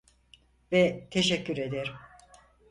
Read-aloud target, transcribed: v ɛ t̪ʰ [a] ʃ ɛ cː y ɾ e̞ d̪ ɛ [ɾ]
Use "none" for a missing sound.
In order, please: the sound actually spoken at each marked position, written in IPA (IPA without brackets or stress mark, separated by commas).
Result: e, ɾ